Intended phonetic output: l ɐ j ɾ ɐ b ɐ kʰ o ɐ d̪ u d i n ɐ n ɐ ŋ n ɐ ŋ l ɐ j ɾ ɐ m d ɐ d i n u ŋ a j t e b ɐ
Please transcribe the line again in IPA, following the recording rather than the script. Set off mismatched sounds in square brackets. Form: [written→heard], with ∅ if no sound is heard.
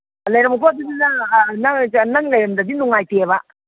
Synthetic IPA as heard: l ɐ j ɾ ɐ [b→m] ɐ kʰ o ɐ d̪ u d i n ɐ n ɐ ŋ n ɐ ŋ l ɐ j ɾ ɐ m d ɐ d i n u ŋ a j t e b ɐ